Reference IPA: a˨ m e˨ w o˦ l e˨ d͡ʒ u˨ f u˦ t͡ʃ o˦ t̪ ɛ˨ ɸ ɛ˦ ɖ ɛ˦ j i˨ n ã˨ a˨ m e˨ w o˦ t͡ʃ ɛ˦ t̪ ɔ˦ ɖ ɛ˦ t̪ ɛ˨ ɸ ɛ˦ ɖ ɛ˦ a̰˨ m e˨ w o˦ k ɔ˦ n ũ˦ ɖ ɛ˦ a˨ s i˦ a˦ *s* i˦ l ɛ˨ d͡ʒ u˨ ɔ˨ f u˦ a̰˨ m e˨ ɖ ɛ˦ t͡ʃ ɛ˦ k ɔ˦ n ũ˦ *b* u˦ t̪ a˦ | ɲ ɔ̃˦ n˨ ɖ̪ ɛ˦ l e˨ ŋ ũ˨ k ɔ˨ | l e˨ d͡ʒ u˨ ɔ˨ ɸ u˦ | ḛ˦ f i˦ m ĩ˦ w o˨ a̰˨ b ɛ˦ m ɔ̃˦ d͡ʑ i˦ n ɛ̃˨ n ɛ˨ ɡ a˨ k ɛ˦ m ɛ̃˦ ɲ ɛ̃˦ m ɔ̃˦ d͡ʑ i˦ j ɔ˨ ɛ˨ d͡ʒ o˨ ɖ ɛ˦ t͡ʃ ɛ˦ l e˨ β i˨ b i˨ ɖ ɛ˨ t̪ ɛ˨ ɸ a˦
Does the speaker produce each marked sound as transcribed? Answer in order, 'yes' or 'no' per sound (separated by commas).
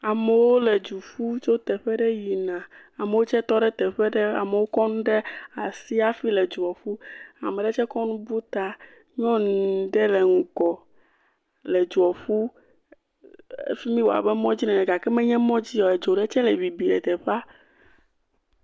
no, yes